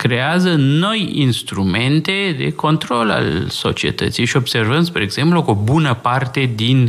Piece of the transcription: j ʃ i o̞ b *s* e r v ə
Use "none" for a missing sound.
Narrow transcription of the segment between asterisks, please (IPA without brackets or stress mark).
s